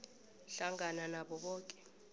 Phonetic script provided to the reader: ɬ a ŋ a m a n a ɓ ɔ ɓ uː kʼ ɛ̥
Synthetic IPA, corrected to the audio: ɬ a ŋ a n a n a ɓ ɔ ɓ ɔː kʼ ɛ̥